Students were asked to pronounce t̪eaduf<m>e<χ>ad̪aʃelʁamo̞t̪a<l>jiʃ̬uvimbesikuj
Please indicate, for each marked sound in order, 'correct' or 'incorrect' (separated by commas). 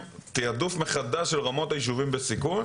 correct, correct, incorrect